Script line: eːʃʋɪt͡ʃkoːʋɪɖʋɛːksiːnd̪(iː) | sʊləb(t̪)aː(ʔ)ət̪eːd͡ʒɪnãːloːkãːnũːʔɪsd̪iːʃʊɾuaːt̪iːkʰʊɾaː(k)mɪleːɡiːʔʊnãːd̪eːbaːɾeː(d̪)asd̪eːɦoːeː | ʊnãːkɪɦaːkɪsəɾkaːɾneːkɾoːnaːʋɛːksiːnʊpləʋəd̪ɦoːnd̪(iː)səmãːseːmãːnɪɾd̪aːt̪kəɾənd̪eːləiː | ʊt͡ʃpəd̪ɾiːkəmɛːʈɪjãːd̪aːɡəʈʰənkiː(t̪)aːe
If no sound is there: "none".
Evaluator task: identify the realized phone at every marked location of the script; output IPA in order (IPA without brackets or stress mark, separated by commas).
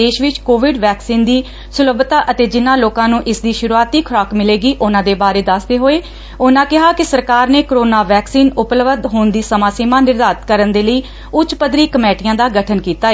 iː, t̪, ʔ, k, d̪, iː, t̪